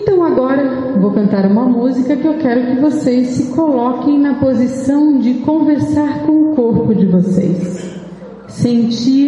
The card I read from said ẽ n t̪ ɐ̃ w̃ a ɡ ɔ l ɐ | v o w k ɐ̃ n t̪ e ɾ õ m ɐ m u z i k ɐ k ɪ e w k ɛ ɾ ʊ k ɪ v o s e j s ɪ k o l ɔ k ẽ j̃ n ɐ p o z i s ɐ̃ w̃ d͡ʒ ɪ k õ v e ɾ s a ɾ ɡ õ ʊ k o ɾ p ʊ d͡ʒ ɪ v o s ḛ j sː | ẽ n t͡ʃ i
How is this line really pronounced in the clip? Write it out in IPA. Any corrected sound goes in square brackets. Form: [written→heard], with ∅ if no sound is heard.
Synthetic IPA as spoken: ẽ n t̪ ɐ̃ w̃ a ɡ ɔ [l→ɾ] ɐ | v o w k ɐ̃ n t̪ [e→a] ɾ [õ→ũ] m ɐ m u z i k ɐ k ɪ e w k ɛ ɾ ʊ k ɪ v o s e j s ɪ k o l ɔ k ẽ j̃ n ɐ p o z i s ɐ̃ w̃ d͡ʒ ɪ k õ v e ɾ s a ɾ [ɡ→k] õ ʊ k o ɾ p ʊ d͡ʒ ɪ v o s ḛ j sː | ẽ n t͡ʃ i